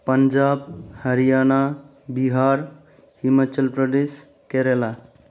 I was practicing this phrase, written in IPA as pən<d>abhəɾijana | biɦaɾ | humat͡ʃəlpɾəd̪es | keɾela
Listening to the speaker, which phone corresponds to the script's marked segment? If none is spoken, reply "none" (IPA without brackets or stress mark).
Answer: d͡ʒ